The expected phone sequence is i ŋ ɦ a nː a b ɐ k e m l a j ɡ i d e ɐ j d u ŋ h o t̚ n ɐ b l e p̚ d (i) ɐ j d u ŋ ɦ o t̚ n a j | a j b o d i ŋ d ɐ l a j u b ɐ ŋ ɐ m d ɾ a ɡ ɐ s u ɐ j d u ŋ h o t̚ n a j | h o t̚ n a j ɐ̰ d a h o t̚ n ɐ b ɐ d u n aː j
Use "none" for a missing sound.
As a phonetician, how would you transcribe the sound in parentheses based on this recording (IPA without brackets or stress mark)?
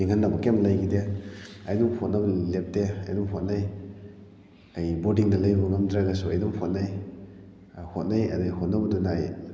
e